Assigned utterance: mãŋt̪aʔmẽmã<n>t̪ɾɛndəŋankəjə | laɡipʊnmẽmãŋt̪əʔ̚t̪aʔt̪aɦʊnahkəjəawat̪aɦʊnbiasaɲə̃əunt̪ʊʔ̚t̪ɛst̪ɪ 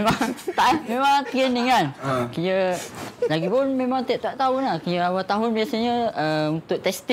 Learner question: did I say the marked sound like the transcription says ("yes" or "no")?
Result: no